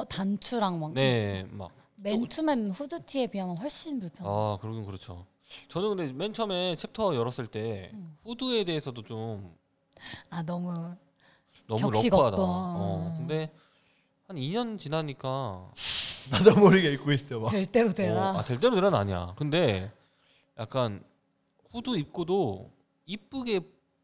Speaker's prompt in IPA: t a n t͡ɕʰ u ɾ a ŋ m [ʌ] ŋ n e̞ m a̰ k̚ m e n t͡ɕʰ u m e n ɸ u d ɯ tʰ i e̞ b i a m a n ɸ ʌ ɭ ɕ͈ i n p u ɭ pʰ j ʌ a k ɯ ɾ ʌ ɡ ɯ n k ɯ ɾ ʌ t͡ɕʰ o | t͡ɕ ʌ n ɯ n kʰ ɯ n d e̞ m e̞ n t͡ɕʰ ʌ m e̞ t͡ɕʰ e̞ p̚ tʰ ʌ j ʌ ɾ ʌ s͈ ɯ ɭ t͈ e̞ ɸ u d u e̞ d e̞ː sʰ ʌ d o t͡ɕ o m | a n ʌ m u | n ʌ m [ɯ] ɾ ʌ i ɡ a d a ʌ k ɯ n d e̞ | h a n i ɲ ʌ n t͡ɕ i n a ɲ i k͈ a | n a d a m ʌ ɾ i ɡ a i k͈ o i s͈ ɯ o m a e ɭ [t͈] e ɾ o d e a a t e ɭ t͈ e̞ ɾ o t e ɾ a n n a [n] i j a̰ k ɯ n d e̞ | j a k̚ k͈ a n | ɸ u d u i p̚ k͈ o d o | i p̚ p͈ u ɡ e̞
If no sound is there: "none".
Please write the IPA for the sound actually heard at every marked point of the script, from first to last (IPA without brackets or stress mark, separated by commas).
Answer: a, u, t͈, ɲ